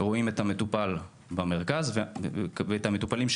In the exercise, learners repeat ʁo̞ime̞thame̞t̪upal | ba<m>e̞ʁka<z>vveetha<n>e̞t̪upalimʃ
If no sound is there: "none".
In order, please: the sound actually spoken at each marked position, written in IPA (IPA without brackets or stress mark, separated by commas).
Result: m, z, m